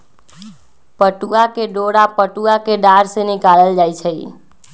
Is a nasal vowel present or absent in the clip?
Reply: absent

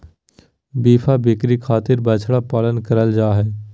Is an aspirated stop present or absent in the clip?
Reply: present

